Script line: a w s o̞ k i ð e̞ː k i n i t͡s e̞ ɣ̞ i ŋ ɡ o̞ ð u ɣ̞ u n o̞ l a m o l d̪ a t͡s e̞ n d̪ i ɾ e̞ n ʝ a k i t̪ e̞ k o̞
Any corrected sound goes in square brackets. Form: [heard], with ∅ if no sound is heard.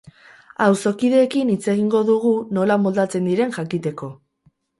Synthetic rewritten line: a w s o̞ k i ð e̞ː k i n i t͡s e̞ ɣ̞ i ŋ ɡ o̞ ð u ɣ̞ u n o̞ l a m o l d̪ a t͡s e̞ n d̪ i ɾ e̞ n ʝ a k i t̪ e̞ k o̞